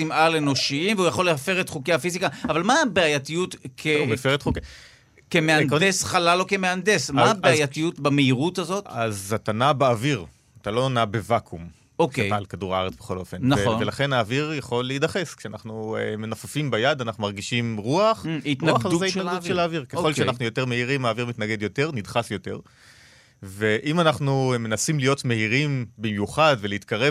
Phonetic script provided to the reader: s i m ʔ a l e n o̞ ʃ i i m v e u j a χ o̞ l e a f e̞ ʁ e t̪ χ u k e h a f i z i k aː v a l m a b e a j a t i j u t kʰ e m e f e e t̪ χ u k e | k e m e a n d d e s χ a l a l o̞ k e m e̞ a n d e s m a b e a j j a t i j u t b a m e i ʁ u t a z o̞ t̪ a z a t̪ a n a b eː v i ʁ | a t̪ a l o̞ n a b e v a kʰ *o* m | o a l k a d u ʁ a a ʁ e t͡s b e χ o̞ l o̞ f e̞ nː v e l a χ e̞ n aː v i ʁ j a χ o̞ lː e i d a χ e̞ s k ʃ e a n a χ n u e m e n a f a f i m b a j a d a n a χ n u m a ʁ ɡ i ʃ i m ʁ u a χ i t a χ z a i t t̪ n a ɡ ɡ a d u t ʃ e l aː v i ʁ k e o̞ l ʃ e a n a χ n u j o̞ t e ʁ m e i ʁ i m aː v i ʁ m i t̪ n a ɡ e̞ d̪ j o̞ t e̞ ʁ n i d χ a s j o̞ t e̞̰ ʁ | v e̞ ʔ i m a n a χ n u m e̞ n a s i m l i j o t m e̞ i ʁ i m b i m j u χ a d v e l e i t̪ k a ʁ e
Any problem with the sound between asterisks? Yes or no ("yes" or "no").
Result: yes